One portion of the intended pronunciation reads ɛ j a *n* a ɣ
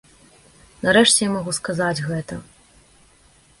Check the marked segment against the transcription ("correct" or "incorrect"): incorrect